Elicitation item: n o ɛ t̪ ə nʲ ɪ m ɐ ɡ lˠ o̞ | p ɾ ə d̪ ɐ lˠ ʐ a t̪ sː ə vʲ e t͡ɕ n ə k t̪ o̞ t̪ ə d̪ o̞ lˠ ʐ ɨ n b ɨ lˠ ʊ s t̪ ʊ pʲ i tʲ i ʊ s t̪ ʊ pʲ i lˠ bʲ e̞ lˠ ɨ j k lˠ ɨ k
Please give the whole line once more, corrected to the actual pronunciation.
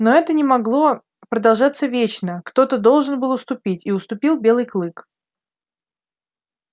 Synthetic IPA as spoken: n o ɛ t̪ ə nʲ ɪ m ɐ ɡ lˠ o̞ | p ɾ ə d̪ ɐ lˠ ʐ a t̪ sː ə vʲ e t͡ɕ n ə k t̪ o̞ t̪ ə d̪ o̞ lˠ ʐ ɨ n b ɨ lˠ ʊ s t̪ ʊ pʲ i tʲ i ʊ s t̪ ʊ pʲ i lˠ bʲ e̞ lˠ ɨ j k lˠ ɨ k